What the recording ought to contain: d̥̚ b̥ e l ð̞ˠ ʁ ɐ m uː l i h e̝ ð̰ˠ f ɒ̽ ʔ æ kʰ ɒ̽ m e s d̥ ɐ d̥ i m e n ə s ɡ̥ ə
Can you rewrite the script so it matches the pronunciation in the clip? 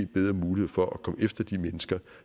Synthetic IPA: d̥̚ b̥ e ð̞ˠ ʁ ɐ m uː l i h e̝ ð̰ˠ f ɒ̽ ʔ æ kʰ ɒ̽ m e f d̥ ɐ d̥ i m e n ə s ɡ̥ ɐ